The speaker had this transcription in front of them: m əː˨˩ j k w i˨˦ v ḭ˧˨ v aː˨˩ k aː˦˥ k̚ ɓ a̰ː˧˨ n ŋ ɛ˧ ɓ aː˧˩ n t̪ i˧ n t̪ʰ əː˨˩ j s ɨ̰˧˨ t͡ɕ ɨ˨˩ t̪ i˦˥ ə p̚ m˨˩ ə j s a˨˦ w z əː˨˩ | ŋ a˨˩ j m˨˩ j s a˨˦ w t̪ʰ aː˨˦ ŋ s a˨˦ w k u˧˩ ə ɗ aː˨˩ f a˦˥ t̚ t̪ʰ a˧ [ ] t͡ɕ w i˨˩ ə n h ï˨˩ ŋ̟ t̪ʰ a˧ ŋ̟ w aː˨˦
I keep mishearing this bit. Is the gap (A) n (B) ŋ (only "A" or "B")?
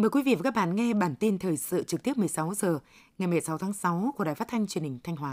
B